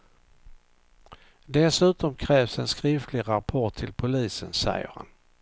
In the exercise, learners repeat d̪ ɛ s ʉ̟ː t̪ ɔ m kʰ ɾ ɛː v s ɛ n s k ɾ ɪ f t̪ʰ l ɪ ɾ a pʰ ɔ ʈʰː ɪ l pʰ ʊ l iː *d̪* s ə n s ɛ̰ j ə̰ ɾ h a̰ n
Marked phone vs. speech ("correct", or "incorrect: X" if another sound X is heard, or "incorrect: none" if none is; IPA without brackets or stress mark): incorrect: none